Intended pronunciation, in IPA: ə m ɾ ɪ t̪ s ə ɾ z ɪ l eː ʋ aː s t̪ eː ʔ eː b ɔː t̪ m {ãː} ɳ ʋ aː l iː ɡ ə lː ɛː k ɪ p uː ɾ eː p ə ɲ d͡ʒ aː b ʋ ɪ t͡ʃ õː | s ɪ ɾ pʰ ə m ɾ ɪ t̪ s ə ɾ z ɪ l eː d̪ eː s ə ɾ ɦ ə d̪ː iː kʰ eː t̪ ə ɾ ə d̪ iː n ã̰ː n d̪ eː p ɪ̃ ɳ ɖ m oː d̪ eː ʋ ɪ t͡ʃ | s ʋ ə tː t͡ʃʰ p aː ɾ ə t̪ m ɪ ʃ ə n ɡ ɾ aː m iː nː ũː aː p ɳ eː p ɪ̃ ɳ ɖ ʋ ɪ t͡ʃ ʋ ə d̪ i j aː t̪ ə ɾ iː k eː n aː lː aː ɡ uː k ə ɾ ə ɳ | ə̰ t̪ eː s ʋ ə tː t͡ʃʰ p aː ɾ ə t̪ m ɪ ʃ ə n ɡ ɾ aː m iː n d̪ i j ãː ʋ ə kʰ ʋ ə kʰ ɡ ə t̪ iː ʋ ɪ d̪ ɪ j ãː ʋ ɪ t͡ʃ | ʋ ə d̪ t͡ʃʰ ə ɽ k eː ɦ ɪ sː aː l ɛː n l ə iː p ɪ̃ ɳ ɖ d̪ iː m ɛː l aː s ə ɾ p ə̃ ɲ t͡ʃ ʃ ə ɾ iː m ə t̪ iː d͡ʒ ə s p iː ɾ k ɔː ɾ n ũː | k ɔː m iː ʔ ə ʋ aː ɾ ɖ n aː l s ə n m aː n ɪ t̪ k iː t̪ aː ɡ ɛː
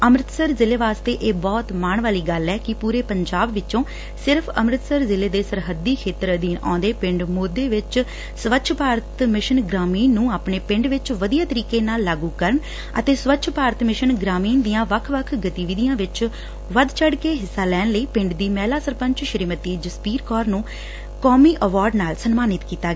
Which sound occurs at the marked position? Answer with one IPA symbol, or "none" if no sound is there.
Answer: aː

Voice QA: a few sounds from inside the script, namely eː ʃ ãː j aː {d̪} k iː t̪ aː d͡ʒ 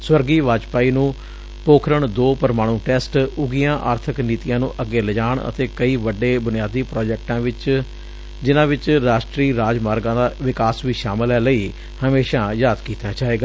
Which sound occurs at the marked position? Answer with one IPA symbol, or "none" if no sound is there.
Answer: d̪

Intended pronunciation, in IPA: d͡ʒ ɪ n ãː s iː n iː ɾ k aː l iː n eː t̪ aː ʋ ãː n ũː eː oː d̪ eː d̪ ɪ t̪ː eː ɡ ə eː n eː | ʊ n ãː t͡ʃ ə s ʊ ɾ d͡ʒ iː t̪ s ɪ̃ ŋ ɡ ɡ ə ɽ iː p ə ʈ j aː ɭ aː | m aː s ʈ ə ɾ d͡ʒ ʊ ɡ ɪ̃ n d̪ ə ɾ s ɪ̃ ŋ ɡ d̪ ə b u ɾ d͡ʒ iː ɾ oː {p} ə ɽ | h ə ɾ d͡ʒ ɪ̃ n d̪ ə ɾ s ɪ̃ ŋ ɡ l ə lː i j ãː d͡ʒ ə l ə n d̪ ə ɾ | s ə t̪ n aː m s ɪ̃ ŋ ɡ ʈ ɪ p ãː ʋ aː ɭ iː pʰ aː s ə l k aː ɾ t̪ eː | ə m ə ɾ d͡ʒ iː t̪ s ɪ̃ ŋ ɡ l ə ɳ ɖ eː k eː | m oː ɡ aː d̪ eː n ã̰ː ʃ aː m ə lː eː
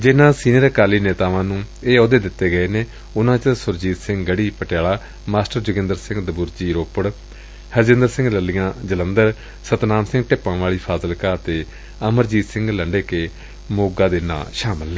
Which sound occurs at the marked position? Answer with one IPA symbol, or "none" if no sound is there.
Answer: p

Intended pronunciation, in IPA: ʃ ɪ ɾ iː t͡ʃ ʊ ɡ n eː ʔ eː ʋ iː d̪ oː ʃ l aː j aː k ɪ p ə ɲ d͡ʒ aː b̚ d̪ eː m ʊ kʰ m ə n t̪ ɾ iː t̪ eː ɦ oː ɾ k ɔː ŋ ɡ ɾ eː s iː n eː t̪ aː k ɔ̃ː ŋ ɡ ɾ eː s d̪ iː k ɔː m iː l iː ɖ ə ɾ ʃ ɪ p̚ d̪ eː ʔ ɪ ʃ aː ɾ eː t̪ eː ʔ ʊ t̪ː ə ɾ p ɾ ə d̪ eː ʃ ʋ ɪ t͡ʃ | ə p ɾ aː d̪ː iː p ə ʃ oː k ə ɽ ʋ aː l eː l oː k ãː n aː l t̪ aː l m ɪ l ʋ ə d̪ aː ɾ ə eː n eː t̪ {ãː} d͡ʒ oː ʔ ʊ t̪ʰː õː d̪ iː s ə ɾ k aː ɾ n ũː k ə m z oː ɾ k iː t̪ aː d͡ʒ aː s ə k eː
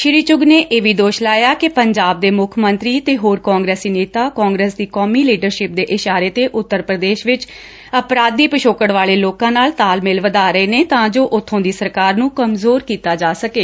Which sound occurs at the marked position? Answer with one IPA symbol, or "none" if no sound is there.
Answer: ãː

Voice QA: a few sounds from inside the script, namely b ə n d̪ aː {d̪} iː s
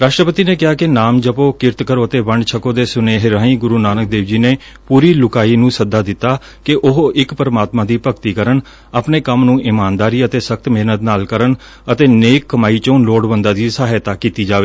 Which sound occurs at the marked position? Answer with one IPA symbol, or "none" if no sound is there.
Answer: d̪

